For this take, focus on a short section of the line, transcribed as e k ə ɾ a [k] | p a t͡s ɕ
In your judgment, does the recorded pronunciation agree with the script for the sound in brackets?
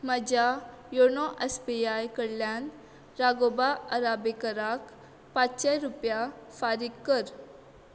yes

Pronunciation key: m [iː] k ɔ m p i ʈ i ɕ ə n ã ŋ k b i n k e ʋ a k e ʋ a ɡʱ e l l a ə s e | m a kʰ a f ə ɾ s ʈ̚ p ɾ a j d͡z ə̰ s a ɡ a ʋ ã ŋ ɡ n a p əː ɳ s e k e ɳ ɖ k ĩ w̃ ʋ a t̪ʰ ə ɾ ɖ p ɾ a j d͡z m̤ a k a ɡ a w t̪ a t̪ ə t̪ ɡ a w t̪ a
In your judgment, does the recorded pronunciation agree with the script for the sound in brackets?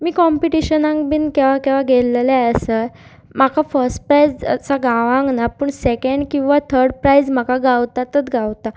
yes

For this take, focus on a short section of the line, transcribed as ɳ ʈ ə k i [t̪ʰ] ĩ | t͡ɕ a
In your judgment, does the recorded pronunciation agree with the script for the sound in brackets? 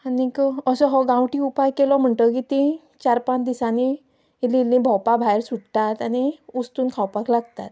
no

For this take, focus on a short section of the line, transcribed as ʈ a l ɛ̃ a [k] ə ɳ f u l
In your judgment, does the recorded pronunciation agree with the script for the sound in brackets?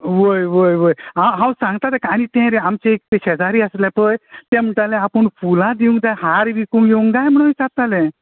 no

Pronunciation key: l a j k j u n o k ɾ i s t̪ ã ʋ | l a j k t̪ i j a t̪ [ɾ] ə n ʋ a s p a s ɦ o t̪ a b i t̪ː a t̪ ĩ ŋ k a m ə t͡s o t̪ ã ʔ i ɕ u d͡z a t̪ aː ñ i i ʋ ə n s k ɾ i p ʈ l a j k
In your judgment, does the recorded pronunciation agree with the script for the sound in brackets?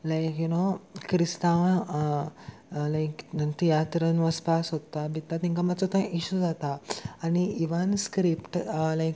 yes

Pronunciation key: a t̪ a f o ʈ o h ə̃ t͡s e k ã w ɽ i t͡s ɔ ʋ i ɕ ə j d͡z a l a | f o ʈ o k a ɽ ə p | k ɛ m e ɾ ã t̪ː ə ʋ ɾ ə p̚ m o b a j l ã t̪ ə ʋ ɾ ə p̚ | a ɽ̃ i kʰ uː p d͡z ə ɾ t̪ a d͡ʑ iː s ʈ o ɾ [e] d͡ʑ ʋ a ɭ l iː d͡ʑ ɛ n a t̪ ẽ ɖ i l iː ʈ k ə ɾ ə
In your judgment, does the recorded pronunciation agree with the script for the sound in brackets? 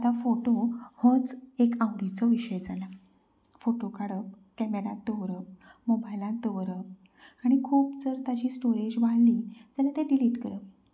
yes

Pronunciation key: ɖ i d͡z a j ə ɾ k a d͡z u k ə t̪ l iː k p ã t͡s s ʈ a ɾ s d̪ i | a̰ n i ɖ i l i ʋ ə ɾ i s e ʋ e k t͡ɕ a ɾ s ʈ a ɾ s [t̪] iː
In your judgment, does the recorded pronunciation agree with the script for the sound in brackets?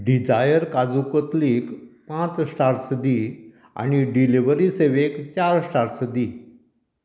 no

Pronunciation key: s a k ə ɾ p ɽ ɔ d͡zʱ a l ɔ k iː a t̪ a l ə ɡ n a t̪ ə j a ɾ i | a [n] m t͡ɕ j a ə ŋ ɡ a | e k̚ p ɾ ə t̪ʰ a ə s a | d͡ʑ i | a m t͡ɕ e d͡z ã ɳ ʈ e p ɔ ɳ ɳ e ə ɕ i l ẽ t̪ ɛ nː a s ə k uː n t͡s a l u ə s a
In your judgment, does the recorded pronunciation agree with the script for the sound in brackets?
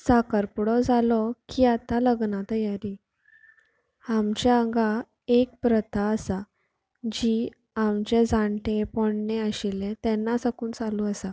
no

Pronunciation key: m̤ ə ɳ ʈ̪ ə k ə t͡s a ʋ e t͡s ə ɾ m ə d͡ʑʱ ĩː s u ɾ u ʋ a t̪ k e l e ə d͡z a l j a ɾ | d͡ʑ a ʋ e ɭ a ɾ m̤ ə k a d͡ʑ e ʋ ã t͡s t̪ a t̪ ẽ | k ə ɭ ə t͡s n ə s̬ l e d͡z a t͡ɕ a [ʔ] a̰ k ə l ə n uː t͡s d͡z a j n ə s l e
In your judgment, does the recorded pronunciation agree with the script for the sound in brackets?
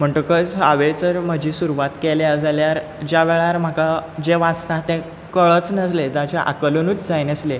yes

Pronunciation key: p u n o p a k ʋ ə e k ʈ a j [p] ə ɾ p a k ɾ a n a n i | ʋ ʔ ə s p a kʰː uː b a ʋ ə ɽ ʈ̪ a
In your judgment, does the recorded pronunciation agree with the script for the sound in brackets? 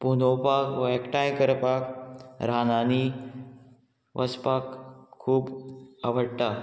no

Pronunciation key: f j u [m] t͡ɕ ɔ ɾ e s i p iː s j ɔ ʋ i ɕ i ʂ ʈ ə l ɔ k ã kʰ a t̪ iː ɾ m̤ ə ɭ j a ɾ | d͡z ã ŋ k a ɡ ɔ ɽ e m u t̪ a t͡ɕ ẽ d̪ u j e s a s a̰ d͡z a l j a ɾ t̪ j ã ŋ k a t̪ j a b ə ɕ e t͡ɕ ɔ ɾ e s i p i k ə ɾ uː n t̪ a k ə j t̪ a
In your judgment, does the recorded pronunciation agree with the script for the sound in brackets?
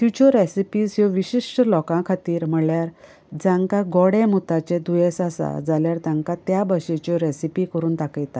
no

